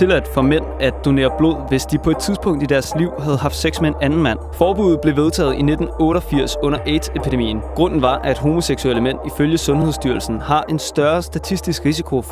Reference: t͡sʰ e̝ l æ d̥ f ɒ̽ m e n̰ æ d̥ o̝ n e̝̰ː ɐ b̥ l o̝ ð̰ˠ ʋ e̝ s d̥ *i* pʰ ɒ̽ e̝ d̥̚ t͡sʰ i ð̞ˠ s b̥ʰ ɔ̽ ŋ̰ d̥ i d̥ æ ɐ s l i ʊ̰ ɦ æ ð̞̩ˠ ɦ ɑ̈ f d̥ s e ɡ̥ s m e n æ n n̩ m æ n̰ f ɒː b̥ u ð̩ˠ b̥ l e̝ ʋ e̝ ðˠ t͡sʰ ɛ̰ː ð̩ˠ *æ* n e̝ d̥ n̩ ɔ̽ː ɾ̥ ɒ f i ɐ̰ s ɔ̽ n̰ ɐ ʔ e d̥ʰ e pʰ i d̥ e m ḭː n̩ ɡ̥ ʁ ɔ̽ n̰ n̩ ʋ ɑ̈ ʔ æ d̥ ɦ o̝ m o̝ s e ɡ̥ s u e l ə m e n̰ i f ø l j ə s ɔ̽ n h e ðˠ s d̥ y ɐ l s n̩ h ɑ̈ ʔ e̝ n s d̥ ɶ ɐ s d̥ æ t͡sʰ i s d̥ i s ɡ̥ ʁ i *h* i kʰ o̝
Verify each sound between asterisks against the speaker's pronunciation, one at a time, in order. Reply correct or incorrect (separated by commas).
correct, incorrect, incorrect